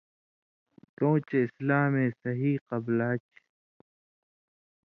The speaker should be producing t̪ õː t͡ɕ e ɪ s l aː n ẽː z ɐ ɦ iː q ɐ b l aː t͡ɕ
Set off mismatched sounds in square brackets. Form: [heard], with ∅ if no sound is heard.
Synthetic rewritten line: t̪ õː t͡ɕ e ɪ s l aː [m] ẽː [s] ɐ ɦ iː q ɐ b l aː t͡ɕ